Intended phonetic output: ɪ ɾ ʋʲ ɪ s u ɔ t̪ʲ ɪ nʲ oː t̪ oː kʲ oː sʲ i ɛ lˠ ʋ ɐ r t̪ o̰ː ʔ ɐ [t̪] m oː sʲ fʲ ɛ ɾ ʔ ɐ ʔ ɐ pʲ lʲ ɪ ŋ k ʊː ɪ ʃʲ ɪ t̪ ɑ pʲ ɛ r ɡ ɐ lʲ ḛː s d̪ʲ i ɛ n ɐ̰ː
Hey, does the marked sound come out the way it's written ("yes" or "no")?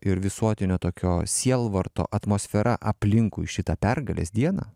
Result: yes